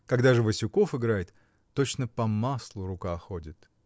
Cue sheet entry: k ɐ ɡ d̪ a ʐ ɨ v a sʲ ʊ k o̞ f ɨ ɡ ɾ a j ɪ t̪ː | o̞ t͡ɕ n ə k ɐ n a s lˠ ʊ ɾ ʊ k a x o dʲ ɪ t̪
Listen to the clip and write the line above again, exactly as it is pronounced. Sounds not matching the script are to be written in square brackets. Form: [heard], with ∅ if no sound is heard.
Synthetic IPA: k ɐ ɡ d̪ a ʐ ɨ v [ə] sʲ ʊ k o̞ f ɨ ɡ ɾ a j ɪ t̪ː | o̞ t͡ɕ n ə [p] ɐ [m] a s lˠ ʊ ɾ ʊ k a x o dʲ ɪ t̪